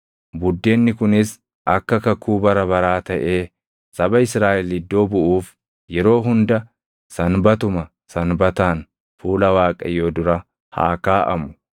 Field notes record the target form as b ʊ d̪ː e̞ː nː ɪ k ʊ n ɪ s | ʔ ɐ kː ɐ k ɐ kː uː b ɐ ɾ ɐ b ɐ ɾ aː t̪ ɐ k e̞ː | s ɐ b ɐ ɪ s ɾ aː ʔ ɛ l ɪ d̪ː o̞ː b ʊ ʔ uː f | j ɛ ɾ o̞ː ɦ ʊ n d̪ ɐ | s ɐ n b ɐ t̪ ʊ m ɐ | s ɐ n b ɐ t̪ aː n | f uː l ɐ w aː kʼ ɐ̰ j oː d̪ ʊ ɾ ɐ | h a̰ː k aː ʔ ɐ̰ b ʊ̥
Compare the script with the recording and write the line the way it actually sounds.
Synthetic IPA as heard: b ʊ d̪ː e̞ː nː ɪ k ʊ n ɪ s | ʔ ɐ kː ɐ k ɐ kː uː b ɐ ɾ ɐ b ɐ ɾ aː t̪ ɐ ʔ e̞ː | s ɐ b ɐ ɪ s ɾ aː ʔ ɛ l ɪ d̪ː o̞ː b ʊ ʔ uː f | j ɛ ɾ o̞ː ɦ ʊ n d̪ ɐ | s ɐ n b ɐ t̪ ʊ m ɐ | s ɐ n b ɐ t̪ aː n | f uː l ɐ w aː kʼ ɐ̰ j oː d̪ ʊ ɾ ɐ | h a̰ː k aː ʔ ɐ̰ m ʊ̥

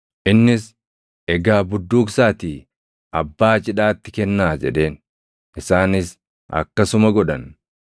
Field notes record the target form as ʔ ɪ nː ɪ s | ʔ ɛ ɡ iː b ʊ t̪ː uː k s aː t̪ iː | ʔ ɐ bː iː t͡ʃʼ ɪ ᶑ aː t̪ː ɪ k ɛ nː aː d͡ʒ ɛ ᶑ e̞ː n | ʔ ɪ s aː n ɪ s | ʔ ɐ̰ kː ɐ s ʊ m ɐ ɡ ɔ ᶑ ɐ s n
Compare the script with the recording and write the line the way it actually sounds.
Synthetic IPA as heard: ʔ ɪ nː ɪ s | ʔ ɛ ɡ aː b ʊ d̪ː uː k s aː t̪ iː | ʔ ɐ bː aː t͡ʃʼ ɪ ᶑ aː t̪ː ɪ k ɛ nː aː d͡ʒ ɛ ᶑ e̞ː n | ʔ ɪ s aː n ɪ s | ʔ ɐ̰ kː ɐ s ʊ m ɐ ɡ ɔ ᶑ ɐ n

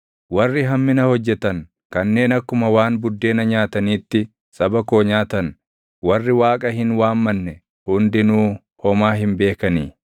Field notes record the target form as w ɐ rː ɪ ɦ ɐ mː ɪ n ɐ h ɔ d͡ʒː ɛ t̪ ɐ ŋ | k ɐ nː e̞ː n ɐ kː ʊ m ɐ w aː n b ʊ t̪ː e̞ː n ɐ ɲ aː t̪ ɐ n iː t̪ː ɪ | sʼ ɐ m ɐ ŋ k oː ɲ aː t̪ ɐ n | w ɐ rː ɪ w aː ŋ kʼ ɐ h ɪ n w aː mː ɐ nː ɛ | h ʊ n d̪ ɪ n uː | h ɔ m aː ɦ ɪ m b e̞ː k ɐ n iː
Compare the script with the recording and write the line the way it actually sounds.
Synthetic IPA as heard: w ɐ rː ɪ ɦ ɐ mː ɪ n ɐ h ɔ d͡ʒː ɛ t̪ ɐ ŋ | k ɐ nː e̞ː n ɐ kː ʊ m ɐ w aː n b ʊ d̪ː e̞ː n ɐ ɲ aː t̪ ɐ n iː t̪ː ɪ | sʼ ɐ b ɐ k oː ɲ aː t̪ ɐ n | w ɐ rː ɪ w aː kʼ ɐ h ɪ n w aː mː ɐ nː ɛ | h ʊ n d̪ ɪ n uː | h ɔ m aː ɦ ɪ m b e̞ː k ɐ n iː

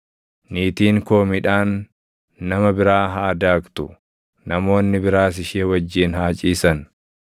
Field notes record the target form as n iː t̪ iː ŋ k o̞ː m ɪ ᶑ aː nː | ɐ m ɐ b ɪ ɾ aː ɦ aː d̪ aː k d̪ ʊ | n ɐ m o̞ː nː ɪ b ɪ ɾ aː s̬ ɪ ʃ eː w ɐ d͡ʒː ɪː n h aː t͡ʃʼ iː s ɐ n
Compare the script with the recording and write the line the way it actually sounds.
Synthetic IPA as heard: n iː t̪ iː ŋ k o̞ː m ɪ ᶑ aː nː | ɐ m ɐ b ɪ ɾ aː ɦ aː d̪ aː k t̪ ʊ | n ɐ m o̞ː nː ɪ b ɪ ɾ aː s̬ ɪ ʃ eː w ɐ d͡ʒː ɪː n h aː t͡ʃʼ iː s ɐ n

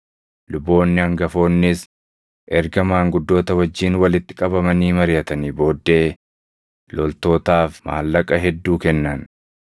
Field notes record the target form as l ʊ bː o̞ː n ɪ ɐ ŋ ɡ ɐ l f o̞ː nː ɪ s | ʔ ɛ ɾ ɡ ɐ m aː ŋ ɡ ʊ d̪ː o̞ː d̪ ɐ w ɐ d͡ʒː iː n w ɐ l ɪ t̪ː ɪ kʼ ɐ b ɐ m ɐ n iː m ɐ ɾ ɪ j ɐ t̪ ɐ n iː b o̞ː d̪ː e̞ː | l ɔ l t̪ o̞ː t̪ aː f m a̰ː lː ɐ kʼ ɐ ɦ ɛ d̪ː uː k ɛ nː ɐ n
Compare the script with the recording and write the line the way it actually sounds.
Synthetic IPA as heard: l ʊ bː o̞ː nː ɪ ɐ ŋ ɡ ɐ f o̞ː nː ɪ s | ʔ ɛ ɾ ɡ ɐ m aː ŋ ɡ ʊ d̪ː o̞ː t̪ ɐ w ɐ d͡ʒː iː n w ɐ l ɪ t̪ː ɪ kʼ ɐ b ɐ m ɐ n iː m ɐ ɾ ɪ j ɐ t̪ ɐ n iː b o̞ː d̪ː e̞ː | l ɔ l t̪ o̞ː t̪ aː f m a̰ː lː ɐ kʼ ɐ ɦ ɛ d̪ː uː k ɛ nː ɐ n

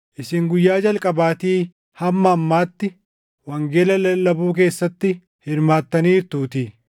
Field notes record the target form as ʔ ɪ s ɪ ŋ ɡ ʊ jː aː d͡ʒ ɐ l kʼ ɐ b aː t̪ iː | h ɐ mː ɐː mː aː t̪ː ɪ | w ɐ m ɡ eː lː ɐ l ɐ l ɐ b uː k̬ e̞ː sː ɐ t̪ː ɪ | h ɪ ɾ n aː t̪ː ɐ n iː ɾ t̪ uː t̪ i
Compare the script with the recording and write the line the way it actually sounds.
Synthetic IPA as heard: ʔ ɪ s ɪ ŋ ɡ ʊ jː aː d͡ʒ ɐ l kʼ ɐ b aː t̪ iː | h ɐ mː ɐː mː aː t̪ː ɪ | w ɐ ŋ ɡ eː l ɐ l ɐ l ɐ b uː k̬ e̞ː sː ɐ t̪ː ɪ | h ɪ ɾ m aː t̪ː ɐ n iː ɾ t̪ uː t̪ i

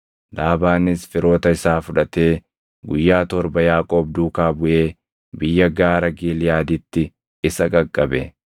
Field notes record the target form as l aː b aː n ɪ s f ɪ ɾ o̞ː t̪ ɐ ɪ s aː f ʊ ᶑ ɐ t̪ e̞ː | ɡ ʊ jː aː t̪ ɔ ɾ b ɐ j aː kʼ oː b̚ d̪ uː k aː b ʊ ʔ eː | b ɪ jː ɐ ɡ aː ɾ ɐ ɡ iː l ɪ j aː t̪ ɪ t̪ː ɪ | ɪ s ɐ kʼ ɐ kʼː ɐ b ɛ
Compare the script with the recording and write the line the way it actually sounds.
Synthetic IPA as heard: l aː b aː n ɪ s f ɪ ɾ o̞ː t̪ ɐ ɪ s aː f ʊ ᶑ ɐ t̪ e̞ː | ɡ ʊ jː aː t̪ ɔ ɾ b ɐ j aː kʼ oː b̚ d̪ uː k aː b ʊ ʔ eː | b ɪ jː ɐ ɡ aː ɾ ɐ ɡ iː l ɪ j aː d̪ ɪ t̪ː ɪ | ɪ s ɐ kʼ ɐ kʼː ɐ b ɛ

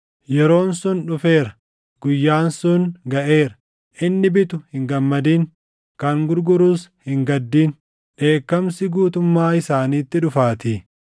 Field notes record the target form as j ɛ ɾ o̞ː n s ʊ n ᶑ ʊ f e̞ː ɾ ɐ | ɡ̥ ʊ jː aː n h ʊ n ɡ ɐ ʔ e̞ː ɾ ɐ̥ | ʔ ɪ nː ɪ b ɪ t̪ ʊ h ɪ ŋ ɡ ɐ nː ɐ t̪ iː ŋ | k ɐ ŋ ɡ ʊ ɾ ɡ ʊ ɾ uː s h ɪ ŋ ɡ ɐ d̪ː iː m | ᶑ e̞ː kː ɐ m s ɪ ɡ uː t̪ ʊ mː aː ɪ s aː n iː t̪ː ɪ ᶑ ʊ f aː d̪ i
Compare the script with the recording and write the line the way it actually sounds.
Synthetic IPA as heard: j ɛ ɾ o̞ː n s ʊ n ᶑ ʊ f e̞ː ɾ ɐ | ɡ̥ ʊ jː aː n s ʊ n ɡ ɐ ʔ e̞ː ɾ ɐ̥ | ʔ ɪ nː ɪ b ɪ t̪ ʊ h ɪ ŋ ɡ ɐ mː ɐ d̪ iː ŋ | k ɐ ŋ ɡ ʊ ɾ ɡ ʊ ɾ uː s h ɪ ŋ ɡ ɐ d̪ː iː n | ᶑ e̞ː kː ɐ m s ɪ ɡ uː t̪ ʊ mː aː ɪ s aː n iː t̪ː ɪ ᶑ ʊ f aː t̪ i

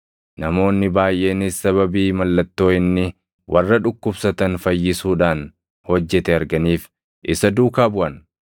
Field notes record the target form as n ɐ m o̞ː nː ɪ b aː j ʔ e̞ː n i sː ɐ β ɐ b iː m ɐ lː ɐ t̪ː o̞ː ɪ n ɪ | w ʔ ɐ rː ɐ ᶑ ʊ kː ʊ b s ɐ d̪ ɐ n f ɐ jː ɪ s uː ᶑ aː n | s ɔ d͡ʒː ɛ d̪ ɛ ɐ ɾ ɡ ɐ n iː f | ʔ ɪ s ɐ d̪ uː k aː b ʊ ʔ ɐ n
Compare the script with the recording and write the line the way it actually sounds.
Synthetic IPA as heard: n ɐ m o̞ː nː ɪ b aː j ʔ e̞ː n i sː ɐ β ɐ b iː m ɐ lː ɐ t̪ː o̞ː ɪ nː ɪ | w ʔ ɐ rː ɐ ᶑ ʊ kː ʊ b s ɐ t̪ ɐ n f ɐ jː ɪ s uː ᶑ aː n | h ɔ d͡ʒː ɛ t̪ ɛ ɐ ɾ ɡ ɐ n iː f | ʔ ɪ s ɐ d̪ uː k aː b ʊ ʔ ɐ n

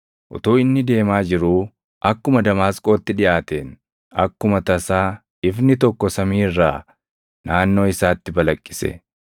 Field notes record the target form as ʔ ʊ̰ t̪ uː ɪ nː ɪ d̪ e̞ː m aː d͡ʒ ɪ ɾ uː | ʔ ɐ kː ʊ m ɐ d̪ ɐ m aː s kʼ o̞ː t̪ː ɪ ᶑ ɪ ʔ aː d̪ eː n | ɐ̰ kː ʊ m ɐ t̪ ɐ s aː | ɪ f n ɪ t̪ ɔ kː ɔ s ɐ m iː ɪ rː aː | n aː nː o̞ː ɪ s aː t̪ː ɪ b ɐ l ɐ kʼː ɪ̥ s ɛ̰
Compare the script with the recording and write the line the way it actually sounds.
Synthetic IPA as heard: ʔ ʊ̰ t̪ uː ɪ nː ɪ d̪ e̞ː m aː d͡ʒ ɪ ɾ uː | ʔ ɐ kː ʊ m ɐ d̪ ɐ m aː s kʼ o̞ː t̪ː ɪ ᶑ ɪ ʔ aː t̪ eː n | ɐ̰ kː ʊ m ɐ t̪ ɐ s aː | ɪ f n ɪ t̪ ɔ kː ɔ s ɐ m iː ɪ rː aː | n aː nː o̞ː ɪ s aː t̪ː ɪ b ɐ l ɐ kʼː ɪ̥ s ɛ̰

